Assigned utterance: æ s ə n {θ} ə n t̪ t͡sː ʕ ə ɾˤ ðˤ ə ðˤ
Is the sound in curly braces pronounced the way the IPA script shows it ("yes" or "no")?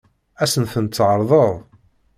yes